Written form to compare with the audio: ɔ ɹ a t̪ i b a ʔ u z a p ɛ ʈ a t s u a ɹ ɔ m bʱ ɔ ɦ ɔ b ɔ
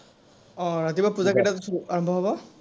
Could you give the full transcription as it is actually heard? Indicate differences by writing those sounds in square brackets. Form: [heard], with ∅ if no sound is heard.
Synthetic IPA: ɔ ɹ a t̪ i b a [p] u z a [k] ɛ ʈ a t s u a ɹ ɔ m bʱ ɔ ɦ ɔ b ɔ